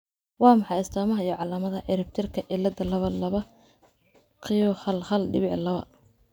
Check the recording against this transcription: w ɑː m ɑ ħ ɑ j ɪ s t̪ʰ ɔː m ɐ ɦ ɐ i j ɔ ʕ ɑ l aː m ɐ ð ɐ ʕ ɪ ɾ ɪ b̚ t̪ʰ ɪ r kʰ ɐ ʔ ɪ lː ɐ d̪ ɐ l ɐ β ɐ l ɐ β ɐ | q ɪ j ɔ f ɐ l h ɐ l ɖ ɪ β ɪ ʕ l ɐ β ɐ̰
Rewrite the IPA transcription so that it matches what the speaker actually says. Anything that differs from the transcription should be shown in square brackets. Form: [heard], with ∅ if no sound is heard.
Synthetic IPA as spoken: w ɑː m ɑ ħ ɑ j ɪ s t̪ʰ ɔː m ɐ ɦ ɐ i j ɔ ʕ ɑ l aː m ɐ ð ɐ ʕ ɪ ɾ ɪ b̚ t̪ʰ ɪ r kʰ ɐ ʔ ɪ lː ɐ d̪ ɐ l ɐ β ɐ l ɐ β ɐ | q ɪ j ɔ [h] ɐ l h ɐ l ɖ ɪ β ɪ ʕ l ɐ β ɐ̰